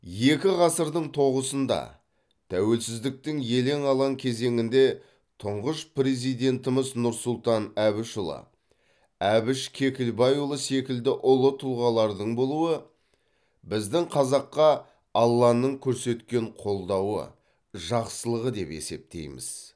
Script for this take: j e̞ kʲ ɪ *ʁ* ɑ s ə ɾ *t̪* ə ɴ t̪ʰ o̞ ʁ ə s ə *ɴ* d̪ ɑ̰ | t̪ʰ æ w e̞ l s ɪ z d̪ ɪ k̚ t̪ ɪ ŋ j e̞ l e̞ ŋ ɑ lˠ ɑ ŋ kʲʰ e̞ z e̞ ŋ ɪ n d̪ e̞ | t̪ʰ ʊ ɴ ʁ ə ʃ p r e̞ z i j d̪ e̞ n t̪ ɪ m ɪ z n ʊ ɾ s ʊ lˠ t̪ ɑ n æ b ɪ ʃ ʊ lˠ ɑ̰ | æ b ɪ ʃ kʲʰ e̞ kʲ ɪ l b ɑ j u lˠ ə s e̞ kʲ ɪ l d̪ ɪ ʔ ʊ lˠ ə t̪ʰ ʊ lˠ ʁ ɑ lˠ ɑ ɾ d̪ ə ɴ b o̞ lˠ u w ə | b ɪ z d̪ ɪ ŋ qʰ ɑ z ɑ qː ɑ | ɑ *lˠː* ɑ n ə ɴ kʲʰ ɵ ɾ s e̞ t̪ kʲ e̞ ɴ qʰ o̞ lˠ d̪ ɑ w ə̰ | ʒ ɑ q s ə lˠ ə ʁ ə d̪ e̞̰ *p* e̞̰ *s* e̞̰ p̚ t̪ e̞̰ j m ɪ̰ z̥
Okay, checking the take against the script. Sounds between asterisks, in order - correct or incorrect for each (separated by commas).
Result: correct, incorrect, incorrect, correct, correct, correct